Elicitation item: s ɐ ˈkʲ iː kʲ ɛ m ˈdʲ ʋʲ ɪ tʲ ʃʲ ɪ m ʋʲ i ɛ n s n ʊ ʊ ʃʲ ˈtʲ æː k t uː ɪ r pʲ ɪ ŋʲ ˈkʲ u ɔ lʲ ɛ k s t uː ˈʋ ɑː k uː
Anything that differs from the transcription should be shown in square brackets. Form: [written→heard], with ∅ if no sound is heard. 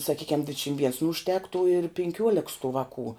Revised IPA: s ɐ ˈkʲ iː kʲ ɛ m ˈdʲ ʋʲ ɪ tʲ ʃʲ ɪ m ʋʲ i ɛ n s n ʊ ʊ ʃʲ ˈtʲ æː k t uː ɪ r pʲ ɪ ŋʲ ˈkʲ u ɔ lʲ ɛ k s t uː ˈʋ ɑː k uː